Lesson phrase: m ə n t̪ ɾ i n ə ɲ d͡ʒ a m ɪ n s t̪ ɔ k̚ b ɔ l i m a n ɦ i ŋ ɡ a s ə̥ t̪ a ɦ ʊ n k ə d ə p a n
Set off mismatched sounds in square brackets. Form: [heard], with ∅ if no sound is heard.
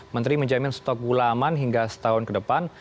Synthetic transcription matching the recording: m ə n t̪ ɾ i [m] ə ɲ d͡ʒ a m ɪ n s t̪ ɔ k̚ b [u] l [a] m a n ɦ i ŋ ɡ a s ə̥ t̪ a ɦ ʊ n k ə d ə p a n